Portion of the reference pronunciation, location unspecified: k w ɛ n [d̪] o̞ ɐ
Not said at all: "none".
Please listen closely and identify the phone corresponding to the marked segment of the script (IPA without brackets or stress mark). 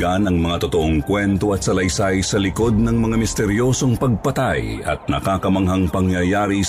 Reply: t̪